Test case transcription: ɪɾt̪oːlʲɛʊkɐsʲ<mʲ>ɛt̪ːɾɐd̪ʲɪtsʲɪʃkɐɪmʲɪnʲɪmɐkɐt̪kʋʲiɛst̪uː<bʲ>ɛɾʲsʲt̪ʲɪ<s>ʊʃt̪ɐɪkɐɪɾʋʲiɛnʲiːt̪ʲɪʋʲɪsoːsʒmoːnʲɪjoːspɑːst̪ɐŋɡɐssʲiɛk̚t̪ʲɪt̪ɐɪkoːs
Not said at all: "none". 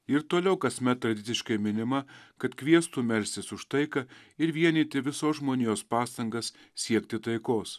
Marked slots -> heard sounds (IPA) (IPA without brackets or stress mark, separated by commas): mʲ, mʲ, s